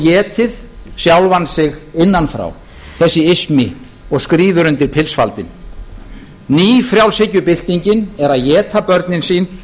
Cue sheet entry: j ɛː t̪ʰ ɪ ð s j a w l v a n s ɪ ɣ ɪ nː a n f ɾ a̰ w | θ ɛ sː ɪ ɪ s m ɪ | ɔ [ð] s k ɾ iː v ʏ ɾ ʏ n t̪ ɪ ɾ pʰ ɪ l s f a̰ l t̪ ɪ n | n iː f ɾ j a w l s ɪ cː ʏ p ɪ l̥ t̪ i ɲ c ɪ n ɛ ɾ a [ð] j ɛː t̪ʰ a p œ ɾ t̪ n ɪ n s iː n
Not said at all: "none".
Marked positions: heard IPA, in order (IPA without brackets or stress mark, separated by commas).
ɣ, ð